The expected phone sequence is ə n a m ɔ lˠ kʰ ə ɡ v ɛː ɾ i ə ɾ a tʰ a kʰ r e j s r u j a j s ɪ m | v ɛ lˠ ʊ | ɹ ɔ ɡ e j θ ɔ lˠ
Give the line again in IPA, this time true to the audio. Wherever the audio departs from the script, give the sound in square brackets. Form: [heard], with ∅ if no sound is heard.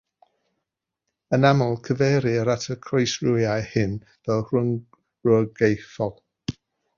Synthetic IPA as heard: ə n a m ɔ lˠ kʰ ə [∅] v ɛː ɾ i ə ɾ a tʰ [ə] kʰ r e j s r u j a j [h] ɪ [n] | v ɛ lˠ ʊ | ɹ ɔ ɡ e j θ ɔ lˠ